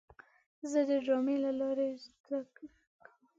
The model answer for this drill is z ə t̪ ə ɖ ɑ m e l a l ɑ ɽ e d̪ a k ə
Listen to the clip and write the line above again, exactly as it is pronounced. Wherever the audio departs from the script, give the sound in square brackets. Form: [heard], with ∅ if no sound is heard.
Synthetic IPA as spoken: z ə [d̪] ə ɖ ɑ m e l a l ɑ [ɾ] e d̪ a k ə